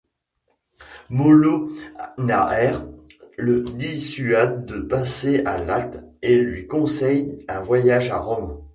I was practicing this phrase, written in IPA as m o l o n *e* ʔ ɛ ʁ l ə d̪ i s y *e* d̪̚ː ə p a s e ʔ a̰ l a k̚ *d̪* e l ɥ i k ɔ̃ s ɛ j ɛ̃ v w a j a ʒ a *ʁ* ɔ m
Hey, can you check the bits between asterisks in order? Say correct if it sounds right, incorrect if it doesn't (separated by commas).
incorrect, incorrect, incorrect, correct